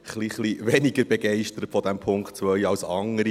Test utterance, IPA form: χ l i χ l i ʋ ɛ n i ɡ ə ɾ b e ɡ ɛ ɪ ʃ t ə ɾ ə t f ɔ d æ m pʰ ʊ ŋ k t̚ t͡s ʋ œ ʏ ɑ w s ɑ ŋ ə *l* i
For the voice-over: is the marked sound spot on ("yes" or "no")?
no